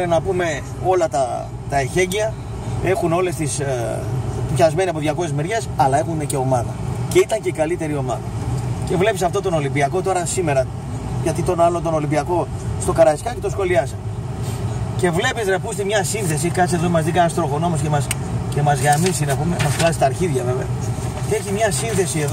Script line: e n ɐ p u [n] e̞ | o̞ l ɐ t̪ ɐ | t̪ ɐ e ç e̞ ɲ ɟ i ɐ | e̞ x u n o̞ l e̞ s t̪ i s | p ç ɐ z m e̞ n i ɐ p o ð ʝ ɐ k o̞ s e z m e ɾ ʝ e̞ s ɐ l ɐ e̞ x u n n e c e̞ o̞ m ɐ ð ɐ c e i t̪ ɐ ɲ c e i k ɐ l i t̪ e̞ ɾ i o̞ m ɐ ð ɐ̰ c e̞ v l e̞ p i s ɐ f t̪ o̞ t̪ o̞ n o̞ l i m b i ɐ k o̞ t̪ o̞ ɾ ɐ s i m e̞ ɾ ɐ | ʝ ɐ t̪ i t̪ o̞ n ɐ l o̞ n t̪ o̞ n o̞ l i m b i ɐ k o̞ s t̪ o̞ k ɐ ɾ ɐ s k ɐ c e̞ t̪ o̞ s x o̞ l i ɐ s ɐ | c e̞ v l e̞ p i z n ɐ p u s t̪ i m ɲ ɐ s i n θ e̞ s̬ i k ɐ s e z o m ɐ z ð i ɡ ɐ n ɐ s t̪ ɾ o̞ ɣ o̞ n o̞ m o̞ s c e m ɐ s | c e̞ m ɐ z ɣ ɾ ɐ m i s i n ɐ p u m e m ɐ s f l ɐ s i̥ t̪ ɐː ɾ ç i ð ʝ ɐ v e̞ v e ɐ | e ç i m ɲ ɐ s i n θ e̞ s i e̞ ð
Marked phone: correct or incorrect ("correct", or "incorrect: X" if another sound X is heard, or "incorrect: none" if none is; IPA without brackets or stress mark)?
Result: incorrect: m